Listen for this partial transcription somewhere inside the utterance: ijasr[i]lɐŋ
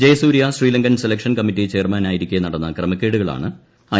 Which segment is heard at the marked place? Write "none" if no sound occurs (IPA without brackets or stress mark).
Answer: iː